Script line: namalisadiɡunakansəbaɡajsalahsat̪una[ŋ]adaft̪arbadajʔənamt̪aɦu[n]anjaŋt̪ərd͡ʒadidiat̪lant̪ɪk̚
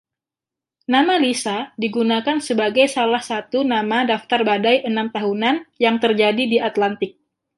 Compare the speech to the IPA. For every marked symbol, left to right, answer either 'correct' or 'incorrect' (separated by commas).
incorrect, correct